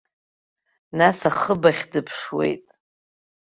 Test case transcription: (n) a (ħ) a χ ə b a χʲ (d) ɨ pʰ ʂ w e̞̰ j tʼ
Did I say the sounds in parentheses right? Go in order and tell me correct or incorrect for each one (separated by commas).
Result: correct, incorrect, correct